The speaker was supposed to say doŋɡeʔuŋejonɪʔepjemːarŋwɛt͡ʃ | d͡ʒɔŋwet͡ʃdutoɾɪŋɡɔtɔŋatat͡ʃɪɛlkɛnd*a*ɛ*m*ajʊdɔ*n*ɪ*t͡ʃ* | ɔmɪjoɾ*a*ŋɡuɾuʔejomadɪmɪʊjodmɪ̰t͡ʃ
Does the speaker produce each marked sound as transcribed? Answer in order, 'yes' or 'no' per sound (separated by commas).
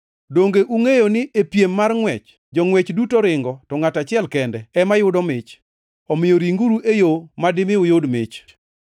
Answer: no, yes, no, yes, no